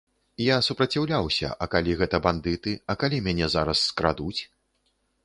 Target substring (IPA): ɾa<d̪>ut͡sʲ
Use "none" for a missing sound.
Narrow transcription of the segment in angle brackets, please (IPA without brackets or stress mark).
d̪